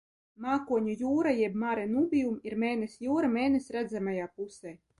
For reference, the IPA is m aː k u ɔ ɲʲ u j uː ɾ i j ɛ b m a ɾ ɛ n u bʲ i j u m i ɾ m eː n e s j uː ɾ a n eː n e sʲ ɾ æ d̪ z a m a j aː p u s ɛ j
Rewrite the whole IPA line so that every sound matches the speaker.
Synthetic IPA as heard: m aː k u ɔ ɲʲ u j uː ɾ a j ɛ b m a ɾ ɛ n u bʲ i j u m i ɾ m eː n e s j uː ɾ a m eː n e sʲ ɾ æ d̪ z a m a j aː p u s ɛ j